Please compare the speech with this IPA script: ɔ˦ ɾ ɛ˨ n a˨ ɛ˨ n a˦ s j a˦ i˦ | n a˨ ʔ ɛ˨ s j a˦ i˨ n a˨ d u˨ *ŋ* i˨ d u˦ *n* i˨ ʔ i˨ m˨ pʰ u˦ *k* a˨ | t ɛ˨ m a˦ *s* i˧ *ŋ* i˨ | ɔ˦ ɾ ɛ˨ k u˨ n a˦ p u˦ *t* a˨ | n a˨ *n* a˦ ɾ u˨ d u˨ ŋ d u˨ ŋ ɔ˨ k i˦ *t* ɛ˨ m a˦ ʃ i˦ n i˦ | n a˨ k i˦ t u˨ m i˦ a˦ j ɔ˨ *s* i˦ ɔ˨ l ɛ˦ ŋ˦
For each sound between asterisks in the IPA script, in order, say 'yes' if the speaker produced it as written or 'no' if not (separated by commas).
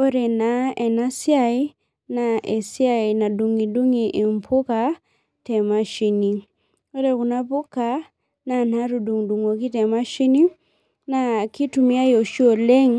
yes, no, yes, no, no, no, yes, yes, no